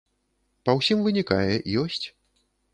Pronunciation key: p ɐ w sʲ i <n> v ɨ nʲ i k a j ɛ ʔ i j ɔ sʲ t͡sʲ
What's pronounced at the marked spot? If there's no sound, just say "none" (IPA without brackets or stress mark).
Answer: m